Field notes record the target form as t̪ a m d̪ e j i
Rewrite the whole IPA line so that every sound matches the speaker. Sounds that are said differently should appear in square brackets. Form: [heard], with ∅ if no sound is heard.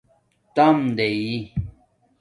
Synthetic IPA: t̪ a m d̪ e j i